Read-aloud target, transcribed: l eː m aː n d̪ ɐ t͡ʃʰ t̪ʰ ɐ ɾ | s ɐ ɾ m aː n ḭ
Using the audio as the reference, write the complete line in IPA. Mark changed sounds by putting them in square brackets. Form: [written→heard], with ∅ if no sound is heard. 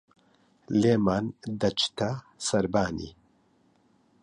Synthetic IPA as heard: l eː m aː n d̪ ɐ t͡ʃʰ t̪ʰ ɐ [ɾ→∅] | s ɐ ɾ [m→b] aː n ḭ